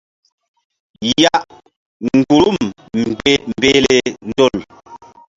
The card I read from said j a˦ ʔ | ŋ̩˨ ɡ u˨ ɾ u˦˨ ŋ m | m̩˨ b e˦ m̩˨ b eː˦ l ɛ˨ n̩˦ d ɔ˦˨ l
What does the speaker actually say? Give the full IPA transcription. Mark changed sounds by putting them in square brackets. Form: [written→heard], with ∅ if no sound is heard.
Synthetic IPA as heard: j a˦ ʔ | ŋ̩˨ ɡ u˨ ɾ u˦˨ [ŋ→m] m | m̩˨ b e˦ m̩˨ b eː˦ l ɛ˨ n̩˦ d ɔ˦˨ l